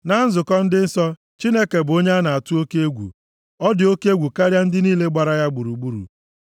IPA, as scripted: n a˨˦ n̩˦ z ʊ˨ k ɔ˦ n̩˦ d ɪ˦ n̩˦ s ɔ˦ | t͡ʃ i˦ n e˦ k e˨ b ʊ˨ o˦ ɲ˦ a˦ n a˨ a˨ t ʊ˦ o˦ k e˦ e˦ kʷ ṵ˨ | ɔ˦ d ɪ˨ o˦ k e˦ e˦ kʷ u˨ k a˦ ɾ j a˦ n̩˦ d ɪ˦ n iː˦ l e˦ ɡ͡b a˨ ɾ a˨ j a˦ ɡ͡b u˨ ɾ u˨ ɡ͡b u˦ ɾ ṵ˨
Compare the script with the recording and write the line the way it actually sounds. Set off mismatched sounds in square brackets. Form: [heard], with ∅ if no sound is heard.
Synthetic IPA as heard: n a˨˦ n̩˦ z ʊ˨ k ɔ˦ n̩˦ d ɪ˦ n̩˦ s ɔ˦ | t͡ʃ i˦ n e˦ k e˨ b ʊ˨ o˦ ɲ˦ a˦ n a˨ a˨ t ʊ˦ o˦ k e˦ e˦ [ɡʷ] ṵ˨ | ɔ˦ d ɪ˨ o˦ k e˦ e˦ [ɡʷ] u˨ k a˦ ɾ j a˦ n̩˦ d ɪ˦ n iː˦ l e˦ ɡ͡b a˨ ɾ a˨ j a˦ ɡ͡b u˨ ɾ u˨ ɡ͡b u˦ ɾ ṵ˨